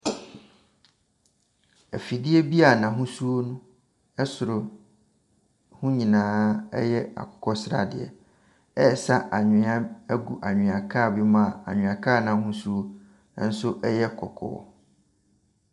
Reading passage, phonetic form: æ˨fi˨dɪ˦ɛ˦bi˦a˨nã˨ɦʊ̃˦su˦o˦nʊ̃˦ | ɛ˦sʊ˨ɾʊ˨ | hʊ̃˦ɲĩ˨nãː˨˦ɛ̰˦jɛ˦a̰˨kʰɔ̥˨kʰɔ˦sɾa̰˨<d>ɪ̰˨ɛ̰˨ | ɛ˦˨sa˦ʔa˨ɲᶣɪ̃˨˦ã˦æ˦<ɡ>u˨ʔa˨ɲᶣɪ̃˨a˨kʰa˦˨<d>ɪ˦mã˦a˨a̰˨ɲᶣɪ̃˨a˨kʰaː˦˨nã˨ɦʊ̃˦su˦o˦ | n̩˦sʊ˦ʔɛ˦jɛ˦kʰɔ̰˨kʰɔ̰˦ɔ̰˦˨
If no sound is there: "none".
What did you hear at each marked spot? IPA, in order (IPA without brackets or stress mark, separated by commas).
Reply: d, ɡ, b